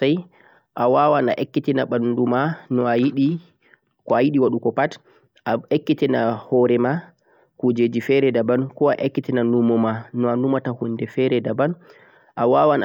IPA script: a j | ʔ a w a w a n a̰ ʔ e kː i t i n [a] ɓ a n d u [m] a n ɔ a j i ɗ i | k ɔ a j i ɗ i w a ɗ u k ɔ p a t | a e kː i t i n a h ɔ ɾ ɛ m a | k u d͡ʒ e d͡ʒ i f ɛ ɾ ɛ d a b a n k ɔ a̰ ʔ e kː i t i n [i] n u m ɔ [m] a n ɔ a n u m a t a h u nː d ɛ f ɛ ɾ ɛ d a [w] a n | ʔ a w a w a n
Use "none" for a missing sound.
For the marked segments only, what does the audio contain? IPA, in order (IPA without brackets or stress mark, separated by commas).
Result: a, m, a, m, b